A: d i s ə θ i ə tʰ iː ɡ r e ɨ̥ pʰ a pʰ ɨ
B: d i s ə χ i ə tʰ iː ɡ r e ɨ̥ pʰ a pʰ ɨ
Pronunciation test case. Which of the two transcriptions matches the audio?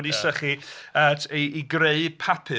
B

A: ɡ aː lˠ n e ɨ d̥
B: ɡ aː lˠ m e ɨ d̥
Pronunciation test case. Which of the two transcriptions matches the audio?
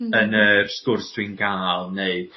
A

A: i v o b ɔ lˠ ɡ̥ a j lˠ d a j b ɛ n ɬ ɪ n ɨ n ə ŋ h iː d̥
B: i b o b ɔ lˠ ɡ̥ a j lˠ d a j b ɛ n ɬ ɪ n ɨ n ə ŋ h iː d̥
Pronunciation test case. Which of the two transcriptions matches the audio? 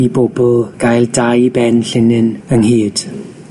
B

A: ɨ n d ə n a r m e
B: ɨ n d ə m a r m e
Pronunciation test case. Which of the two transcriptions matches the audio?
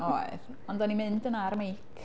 A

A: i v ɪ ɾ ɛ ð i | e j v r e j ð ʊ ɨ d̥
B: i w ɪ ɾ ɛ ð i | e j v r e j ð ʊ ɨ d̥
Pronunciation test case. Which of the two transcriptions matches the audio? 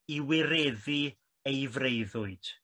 B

